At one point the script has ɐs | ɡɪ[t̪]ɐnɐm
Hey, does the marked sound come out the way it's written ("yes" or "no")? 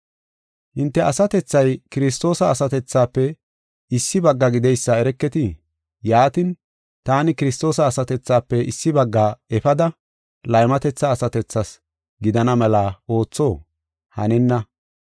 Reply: no